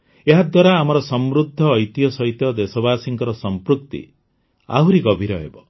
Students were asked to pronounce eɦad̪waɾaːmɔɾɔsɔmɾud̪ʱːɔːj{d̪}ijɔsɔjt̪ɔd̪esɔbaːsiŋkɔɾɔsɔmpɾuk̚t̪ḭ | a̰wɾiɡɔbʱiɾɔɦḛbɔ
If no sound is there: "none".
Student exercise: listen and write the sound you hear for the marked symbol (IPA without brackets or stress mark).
t̪